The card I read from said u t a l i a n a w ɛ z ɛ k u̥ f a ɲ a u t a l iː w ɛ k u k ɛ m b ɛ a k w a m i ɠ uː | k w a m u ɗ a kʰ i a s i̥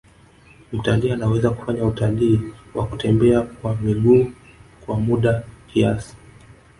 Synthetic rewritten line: u t a l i a n a w ɛ z a k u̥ f a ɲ a u t a l iː w a k u t ɛ m b ɛ a k w a m i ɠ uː | k w a m u ɗ a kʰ i a s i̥